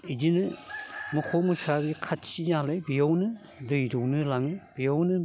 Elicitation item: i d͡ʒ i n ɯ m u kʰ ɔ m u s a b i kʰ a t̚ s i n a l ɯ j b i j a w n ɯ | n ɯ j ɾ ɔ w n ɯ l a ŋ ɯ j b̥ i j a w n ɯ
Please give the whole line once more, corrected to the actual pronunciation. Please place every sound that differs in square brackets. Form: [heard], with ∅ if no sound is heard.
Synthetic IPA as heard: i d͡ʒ i n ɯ m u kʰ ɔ m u s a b i kʰ a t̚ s i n a l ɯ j b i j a w n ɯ | [d] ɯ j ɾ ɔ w n ɯ l a ŋ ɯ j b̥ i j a w n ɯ